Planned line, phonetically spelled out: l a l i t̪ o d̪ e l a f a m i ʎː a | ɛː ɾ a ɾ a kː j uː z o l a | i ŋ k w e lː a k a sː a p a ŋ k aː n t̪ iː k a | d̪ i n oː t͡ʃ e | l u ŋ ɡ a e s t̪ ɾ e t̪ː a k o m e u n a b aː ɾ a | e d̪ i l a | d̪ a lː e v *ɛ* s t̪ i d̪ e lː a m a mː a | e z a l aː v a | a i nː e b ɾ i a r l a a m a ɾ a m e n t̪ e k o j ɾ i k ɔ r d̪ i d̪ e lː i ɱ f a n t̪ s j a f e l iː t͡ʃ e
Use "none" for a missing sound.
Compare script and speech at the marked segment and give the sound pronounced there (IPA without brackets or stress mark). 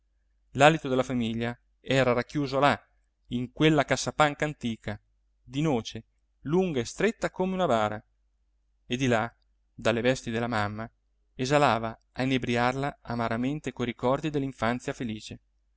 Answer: ɛ